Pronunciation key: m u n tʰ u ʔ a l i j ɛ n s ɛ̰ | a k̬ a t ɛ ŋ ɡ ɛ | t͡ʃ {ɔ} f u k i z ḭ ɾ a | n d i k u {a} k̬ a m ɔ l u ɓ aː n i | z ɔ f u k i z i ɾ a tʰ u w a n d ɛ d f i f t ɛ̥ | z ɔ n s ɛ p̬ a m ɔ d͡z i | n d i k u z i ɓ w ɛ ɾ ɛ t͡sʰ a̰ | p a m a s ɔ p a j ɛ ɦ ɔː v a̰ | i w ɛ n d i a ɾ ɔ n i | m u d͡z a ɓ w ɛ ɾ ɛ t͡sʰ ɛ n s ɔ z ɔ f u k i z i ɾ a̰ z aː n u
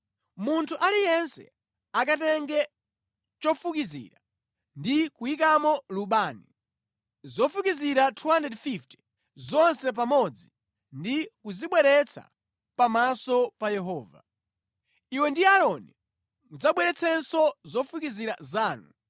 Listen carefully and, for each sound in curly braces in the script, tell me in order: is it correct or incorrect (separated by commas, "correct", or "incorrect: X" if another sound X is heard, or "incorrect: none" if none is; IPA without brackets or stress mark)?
correct, incorrect: i